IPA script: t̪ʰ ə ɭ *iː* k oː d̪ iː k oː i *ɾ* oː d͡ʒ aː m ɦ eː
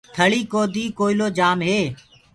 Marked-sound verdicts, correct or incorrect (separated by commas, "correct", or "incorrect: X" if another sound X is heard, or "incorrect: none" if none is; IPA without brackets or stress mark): correct, incorrect: l